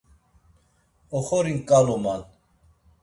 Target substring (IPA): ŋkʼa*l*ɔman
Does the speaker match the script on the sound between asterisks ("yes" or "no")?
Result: yes